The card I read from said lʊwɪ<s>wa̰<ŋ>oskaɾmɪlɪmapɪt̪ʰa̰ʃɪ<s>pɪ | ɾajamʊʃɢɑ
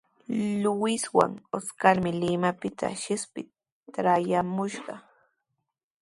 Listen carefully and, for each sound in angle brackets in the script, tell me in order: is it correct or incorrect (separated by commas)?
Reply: correct, correct, correct